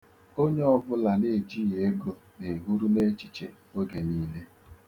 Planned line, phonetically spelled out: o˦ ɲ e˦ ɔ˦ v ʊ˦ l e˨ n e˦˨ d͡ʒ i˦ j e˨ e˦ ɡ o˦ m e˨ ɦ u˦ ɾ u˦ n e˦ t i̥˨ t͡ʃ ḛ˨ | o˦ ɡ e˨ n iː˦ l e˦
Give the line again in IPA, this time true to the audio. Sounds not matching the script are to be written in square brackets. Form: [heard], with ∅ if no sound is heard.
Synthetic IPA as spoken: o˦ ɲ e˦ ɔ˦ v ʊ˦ l [a˨] n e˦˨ d͡ʒ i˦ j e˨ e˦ ɡ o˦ [n] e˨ ɦ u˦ ɾ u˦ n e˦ [t͡ʃ] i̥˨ t͡ʃ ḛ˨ | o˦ ɡ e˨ n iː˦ l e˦